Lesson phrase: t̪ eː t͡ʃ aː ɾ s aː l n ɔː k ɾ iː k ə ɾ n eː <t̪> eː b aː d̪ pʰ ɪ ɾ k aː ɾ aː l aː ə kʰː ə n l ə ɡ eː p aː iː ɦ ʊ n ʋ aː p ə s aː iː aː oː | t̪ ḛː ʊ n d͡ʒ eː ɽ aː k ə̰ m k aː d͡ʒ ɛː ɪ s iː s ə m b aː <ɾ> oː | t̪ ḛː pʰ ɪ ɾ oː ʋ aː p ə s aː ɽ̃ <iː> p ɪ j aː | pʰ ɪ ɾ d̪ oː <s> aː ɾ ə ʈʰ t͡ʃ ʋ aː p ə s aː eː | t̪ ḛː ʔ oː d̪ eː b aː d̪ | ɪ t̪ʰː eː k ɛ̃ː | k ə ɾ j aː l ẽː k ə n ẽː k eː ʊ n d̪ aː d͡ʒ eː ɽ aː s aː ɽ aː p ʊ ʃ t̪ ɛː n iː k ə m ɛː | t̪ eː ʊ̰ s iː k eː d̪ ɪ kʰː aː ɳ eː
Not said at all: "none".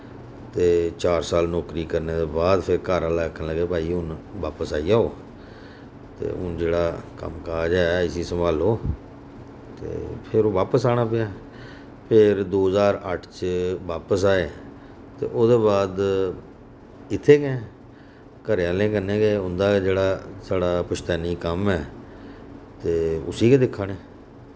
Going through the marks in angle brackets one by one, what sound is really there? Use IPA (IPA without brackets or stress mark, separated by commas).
d̪, l, aː, z